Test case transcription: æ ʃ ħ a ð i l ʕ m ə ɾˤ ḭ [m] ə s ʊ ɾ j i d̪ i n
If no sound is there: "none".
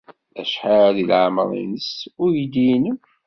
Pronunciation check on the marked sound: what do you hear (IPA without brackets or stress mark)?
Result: n